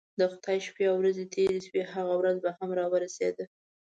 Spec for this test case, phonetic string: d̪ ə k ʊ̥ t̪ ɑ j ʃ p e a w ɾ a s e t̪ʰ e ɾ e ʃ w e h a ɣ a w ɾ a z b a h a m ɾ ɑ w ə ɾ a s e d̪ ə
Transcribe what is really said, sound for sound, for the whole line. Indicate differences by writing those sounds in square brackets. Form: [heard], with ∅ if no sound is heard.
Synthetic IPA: d̪ ə [x] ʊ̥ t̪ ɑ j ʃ p e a w ɾ a [z] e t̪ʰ e ɾ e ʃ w e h a ɣ a w ɾ a z b a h a m ɾ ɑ w ə ɾ a s e d̪ ə